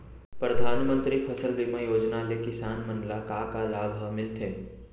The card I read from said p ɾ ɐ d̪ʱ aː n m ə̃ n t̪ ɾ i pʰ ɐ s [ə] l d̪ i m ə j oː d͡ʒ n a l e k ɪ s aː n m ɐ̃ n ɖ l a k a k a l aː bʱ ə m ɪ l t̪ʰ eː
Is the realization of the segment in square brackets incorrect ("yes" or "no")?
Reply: no